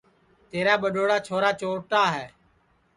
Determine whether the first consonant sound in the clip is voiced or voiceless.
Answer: voiceless